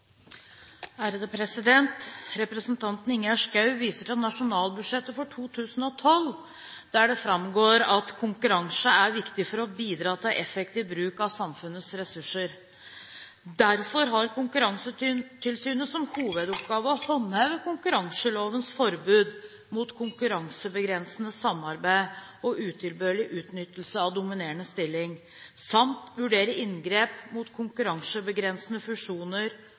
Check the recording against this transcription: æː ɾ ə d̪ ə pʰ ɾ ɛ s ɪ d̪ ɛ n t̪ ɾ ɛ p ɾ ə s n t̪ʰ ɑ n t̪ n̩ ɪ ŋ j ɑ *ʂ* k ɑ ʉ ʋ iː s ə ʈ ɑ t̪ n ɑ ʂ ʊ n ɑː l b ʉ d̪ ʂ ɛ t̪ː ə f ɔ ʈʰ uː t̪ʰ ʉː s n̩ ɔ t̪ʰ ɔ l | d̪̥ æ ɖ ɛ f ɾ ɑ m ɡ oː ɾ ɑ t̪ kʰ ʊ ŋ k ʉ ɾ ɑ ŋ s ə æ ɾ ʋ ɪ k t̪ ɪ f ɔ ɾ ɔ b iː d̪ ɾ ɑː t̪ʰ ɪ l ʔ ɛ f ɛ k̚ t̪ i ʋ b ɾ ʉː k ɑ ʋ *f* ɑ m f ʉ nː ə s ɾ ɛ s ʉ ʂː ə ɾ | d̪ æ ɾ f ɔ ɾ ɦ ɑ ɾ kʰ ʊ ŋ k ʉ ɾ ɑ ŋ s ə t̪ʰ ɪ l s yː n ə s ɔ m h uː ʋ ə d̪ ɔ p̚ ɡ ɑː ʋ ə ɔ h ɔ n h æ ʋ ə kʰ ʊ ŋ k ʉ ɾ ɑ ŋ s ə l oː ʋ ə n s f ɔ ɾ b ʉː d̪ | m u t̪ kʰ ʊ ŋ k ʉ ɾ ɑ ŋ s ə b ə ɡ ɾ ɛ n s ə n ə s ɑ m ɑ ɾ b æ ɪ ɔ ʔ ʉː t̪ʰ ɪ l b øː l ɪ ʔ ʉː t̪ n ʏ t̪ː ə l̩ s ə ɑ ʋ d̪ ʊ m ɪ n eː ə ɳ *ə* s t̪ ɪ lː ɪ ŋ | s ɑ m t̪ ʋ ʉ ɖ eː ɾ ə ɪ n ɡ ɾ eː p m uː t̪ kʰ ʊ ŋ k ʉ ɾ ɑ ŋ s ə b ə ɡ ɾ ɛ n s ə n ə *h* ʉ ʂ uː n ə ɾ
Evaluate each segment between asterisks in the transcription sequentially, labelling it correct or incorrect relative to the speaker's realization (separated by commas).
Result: correct, incorrect, correct, incorrect